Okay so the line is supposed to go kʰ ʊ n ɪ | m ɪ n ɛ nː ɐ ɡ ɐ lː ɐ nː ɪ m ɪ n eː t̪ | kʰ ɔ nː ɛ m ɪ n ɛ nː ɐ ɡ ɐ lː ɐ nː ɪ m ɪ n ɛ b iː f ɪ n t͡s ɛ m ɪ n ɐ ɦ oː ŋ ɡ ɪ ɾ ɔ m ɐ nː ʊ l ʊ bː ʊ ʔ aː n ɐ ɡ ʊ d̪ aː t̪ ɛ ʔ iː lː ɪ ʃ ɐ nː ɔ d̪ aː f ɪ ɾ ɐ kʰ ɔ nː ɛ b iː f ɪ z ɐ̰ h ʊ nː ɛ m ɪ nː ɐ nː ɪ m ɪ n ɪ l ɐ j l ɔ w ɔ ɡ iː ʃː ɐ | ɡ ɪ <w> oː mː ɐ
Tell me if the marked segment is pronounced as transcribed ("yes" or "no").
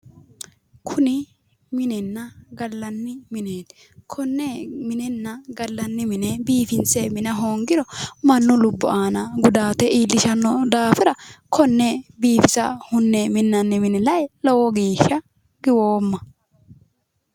yes